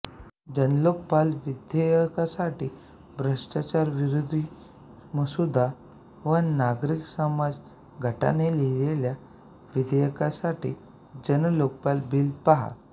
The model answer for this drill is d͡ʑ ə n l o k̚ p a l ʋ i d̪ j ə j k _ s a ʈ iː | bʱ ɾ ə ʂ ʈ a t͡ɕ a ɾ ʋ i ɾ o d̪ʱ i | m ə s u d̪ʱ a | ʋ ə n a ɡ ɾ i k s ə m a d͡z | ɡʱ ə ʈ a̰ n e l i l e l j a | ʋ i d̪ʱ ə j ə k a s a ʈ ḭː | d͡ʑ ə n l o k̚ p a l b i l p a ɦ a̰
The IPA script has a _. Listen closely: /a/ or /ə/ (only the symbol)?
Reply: a